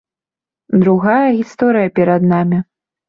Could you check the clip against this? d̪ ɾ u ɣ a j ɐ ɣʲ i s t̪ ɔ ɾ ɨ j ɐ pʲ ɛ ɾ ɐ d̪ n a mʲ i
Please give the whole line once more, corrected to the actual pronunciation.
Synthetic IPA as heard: d̪ ɾ u ɣ a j ɐ ɣʲ i s t̪ ɔ ɾ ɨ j ɐ pʲ ɛ ɾ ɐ d̪ n a mʲ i